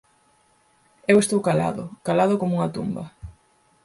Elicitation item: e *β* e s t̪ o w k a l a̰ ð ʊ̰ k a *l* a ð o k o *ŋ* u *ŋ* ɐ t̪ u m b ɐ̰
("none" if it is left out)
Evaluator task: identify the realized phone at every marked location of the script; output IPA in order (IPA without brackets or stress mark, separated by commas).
w, l, m, ŋ